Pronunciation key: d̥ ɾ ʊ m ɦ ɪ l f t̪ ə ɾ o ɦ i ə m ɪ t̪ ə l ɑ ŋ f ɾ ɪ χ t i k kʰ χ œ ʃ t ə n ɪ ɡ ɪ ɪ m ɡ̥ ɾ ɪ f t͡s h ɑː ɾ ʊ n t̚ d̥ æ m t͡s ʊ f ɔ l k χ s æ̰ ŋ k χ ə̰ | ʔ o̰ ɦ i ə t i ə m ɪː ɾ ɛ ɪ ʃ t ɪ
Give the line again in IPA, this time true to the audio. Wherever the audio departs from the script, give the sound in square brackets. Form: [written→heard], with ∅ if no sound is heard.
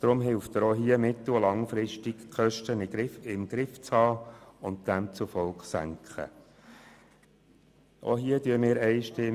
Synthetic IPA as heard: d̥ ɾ ʊ m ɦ ɪ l f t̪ ə ɾ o ɦ i ə m ɪ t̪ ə l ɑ ŋ f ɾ ɪ [χ→ʃ] t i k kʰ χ œ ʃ t ə n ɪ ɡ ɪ ɪ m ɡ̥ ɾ ɪ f t͡s h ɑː [ɾ→∅] ʊ n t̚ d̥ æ m t͡s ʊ f ɔ l k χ s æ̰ ŋ k χ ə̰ | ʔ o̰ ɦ i ə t [i→y] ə m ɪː ɾ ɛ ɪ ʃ t ɪ